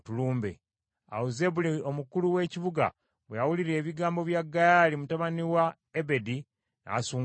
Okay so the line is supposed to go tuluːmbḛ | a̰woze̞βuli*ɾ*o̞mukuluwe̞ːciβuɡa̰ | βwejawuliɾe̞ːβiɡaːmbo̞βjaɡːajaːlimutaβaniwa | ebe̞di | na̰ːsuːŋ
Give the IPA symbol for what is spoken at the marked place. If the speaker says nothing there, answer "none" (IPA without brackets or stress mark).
none